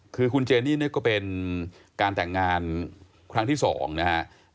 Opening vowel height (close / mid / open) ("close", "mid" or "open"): close